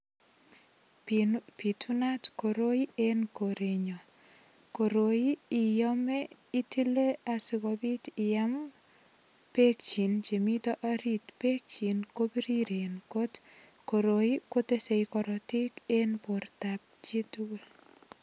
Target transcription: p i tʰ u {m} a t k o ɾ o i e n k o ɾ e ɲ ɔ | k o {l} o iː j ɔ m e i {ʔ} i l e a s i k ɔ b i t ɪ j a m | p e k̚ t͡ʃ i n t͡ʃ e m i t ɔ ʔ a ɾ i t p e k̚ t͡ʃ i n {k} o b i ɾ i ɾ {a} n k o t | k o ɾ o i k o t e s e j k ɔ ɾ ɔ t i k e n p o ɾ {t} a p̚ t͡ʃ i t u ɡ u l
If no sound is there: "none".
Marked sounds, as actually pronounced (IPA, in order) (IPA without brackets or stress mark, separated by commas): n, ɾ, t, k, e, t